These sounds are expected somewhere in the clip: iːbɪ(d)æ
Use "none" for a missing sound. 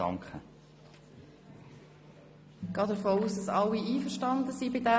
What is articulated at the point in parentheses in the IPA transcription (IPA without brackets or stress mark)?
d